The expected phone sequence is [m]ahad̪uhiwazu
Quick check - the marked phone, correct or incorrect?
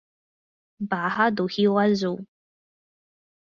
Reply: incorrect